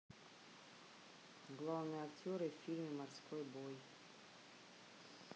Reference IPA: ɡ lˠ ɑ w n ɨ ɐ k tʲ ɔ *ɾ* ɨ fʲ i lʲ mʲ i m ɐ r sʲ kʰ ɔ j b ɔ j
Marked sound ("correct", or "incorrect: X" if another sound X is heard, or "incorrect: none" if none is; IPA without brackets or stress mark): correct